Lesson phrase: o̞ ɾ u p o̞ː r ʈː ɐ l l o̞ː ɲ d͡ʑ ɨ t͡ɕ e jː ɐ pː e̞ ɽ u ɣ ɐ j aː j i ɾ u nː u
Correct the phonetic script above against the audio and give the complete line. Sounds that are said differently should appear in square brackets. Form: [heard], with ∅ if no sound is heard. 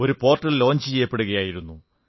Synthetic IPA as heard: o̞ ɾ u p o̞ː r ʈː ɐ l l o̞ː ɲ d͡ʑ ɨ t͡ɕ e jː ɐ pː e̞ ɽ u ɣ ɐ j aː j i ɾ u nː u